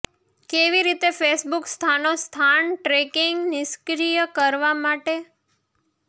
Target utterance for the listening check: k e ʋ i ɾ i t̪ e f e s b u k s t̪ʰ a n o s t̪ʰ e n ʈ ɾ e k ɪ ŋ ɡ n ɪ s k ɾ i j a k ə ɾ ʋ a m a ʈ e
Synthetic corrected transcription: k e ʋ i ɾ i t̪ e f e s b u k s t̪ʰ a n o s t̪ʰ a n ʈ ɾ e k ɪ ŋ ɡ n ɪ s k ɾ i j ə k ə ɾ ʋ a m a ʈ e